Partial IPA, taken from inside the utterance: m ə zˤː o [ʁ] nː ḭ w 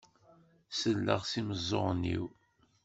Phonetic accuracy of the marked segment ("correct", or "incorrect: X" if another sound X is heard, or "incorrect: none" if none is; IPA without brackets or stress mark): correct